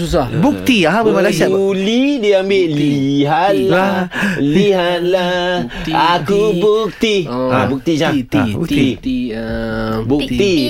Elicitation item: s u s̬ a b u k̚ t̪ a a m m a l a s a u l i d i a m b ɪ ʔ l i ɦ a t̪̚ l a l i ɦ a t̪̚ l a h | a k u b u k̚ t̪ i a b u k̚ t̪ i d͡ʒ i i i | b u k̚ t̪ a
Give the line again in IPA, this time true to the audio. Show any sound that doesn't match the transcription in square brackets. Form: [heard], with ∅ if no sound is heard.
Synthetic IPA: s u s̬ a b u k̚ t̪ [i] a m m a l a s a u l i d i a m b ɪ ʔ l i ɦ a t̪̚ l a l i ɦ a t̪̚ l a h | a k u b u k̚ t̪ i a b u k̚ t̪ i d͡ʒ [a] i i | b u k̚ t̪ [i]